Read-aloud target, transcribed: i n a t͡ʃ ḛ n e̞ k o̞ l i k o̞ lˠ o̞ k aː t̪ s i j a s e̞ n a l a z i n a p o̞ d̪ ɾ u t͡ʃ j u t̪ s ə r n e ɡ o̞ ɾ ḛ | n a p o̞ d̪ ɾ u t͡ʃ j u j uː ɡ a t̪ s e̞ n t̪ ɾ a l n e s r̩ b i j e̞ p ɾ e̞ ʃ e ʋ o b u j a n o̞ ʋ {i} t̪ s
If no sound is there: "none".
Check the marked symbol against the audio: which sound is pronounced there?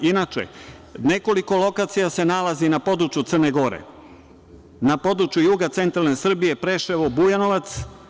a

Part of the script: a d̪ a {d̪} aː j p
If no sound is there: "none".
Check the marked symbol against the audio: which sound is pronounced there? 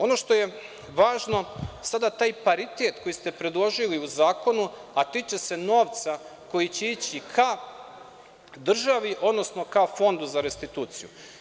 t̪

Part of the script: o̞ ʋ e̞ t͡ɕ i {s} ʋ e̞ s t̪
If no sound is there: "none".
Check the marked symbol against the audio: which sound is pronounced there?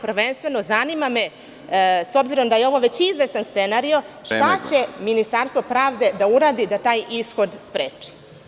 z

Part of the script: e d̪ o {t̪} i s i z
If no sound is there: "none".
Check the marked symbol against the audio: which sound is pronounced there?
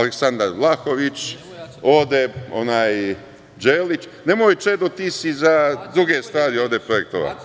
t̪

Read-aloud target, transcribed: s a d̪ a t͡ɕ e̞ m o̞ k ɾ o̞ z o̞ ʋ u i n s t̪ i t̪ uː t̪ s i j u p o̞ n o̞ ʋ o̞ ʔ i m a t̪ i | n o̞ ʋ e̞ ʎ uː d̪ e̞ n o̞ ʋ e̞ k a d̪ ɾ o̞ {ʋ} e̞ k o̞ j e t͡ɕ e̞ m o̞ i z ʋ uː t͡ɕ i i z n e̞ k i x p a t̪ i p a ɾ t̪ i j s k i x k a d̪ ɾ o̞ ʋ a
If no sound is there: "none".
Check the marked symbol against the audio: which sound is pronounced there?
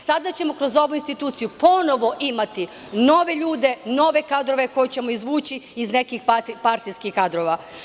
ʋ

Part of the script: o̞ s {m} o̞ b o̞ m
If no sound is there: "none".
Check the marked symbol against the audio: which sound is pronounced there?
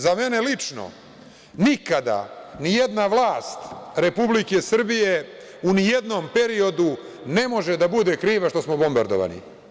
m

